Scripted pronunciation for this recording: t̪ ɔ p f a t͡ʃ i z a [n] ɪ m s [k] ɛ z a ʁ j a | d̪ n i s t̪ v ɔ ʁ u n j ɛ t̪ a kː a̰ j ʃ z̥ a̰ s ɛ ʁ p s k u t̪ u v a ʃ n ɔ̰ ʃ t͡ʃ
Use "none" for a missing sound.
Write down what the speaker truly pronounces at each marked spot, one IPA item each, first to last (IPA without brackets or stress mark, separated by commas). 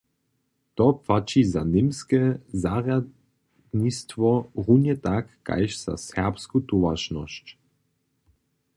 n, k